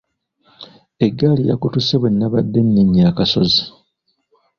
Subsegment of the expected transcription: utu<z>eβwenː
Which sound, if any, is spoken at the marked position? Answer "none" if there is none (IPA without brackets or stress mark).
s